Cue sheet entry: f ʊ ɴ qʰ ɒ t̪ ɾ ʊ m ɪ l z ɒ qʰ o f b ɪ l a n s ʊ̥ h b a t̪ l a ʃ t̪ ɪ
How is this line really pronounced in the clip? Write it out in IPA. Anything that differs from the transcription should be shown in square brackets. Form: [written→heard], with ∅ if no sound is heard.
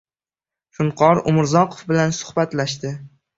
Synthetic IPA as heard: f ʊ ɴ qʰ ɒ [t̪→∅] ɾ ʊ m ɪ [l→ɾ] z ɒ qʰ o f b ɪ l a n s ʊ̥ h b a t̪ l a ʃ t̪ ɪ